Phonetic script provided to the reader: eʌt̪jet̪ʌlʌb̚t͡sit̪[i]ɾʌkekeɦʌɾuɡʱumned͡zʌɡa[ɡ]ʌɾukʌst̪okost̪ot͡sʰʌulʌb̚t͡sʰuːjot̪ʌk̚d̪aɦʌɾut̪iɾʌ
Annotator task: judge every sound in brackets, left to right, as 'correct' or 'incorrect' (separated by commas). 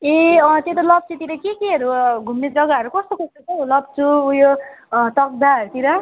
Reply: correct, incorrect